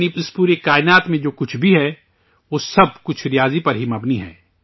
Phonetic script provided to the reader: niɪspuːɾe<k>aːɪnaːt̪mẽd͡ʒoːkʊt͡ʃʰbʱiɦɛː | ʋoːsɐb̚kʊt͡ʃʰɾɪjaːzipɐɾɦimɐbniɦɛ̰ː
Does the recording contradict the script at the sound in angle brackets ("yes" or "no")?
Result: no